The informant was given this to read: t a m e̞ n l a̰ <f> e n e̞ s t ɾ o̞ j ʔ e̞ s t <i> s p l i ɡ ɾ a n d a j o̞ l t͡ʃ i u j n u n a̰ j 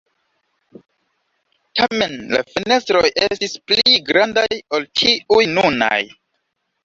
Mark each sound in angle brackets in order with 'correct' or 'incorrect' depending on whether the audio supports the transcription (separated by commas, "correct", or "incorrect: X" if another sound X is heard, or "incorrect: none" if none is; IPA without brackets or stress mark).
correct, correct